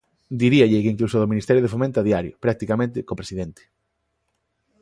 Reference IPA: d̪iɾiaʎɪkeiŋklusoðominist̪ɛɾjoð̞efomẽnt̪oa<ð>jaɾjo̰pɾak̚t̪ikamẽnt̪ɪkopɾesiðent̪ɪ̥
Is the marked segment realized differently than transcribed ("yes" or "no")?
no